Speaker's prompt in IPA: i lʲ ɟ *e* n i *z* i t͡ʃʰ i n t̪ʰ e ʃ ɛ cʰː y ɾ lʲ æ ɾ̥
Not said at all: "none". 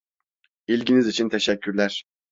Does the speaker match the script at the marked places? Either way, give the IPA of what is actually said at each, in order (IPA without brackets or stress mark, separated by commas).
i, z